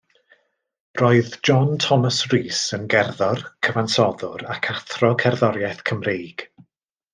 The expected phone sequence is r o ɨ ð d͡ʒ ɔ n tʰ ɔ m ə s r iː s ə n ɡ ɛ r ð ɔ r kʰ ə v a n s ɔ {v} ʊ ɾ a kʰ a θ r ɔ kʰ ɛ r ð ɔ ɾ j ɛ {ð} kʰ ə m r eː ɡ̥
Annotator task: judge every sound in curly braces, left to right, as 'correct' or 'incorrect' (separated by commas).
incorrect, incorrect